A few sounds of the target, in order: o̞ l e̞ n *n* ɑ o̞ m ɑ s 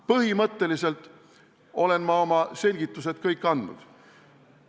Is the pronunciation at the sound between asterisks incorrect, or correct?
incorrect: m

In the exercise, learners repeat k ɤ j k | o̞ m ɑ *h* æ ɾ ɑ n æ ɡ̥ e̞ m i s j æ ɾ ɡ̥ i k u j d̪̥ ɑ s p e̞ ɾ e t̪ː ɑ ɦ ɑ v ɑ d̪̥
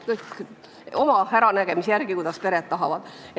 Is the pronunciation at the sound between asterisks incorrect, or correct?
correct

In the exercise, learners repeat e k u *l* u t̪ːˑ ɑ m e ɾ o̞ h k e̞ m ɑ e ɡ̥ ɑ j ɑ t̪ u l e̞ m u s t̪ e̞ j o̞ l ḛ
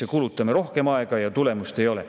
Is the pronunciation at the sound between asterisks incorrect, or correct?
correct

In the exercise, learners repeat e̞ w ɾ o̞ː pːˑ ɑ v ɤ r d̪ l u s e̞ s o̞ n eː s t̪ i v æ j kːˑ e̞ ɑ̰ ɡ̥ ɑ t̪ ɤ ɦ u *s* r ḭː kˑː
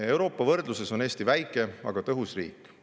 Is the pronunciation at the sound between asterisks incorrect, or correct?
correct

